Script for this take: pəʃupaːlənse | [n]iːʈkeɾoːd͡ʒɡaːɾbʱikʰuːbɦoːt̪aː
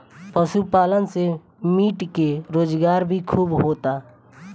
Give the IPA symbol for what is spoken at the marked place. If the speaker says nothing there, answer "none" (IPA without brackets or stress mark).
m